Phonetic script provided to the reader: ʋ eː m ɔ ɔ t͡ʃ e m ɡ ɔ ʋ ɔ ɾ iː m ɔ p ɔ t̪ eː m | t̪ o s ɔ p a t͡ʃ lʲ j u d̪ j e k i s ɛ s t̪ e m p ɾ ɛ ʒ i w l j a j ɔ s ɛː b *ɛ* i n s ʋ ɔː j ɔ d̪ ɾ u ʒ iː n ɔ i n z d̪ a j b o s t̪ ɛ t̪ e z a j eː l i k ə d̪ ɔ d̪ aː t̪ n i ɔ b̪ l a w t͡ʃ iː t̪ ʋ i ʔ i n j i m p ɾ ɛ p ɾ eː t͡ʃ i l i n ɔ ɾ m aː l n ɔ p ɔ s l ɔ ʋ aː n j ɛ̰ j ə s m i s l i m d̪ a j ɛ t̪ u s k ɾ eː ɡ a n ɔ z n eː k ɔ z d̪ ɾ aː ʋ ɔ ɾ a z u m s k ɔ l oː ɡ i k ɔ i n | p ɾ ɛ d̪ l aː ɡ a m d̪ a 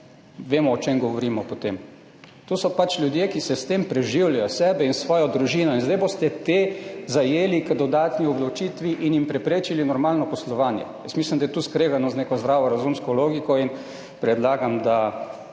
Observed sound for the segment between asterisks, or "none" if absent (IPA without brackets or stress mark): ɛ